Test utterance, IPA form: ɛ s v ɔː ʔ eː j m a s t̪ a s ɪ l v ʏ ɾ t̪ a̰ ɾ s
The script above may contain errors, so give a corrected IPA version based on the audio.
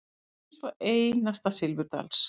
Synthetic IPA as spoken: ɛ s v ɔ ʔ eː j n a s t̪ a s ɪ l v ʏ ɾ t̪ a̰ l s